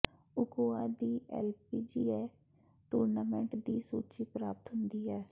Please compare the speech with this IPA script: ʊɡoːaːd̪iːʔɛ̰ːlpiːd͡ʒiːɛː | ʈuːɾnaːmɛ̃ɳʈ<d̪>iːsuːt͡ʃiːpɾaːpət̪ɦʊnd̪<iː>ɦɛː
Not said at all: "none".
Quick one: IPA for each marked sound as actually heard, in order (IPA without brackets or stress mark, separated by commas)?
d̪, iː